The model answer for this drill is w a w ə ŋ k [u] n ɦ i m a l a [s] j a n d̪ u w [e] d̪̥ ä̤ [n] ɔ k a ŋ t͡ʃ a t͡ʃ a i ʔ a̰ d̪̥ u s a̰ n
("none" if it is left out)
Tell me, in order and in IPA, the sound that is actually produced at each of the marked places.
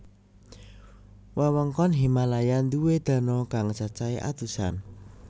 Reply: ɔ, none, e, n

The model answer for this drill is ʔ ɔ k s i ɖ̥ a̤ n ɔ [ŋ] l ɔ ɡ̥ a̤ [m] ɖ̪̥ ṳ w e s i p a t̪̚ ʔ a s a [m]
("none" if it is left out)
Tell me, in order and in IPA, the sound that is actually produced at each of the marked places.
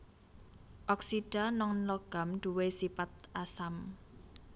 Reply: ŋ, m, m

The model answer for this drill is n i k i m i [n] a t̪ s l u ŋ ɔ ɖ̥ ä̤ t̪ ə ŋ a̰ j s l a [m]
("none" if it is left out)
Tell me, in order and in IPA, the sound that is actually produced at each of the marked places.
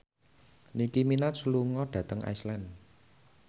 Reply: n, n

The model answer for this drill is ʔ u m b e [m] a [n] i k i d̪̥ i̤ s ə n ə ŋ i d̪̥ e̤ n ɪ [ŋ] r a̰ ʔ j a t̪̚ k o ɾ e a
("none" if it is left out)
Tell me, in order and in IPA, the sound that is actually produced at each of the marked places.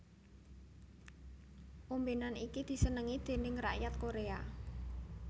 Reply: n, n, ŋ

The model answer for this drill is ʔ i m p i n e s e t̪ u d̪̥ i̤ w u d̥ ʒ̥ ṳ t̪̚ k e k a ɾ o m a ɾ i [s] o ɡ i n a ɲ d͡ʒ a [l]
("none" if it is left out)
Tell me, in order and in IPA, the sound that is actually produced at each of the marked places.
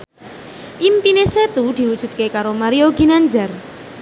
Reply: none, r

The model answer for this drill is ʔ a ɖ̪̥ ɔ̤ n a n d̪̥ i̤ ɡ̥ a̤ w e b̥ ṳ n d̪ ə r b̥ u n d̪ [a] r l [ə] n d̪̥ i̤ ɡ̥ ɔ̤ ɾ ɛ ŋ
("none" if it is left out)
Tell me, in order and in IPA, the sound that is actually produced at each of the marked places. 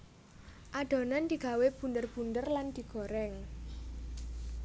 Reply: ə, a

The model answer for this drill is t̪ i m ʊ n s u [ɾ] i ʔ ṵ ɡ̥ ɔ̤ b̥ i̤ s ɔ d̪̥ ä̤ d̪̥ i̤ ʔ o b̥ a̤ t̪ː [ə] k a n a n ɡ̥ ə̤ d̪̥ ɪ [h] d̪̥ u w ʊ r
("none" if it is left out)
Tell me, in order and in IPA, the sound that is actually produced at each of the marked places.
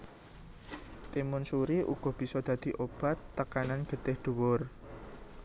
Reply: ɾ, ə, h

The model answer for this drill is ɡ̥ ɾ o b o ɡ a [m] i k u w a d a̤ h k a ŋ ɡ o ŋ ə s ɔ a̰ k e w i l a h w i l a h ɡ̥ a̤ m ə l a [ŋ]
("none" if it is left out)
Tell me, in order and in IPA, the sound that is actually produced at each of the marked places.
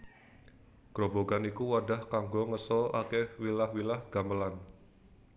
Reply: n, n

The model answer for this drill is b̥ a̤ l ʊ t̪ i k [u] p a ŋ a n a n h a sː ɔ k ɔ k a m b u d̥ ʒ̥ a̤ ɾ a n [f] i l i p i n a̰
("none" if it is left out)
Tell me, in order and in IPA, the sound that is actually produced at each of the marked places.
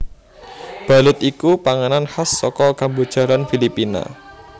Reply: u, f

